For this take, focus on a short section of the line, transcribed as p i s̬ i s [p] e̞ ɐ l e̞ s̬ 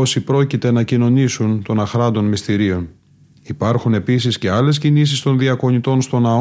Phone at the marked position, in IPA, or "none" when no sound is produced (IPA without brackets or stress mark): c